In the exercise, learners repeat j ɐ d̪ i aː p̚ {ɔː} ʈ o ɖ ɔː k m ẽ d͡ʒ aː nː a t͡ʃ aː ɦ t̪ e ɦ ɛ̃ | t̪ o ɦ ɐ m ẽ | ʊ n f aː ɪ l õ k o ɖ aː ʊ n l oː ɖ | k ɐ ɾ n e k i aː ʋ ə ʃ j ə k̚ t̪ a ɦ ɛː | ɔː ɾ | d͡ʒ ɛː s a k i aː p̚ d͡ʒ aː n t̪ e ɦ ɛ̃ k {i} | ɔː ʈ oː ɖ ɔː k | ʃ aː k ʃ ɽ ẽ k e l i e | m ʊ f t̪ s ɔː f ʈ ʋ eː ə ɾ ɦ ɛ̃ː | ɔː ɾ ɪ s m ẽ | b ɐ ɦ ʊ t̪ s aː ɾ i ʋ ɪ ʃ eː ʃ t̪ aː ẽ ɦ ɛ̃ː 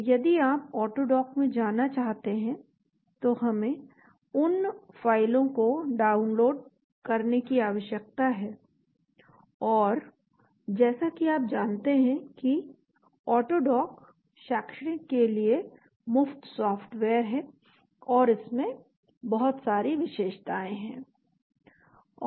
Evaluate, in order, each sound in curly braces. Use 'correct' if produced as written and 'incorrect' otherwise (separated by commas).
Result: correct, correct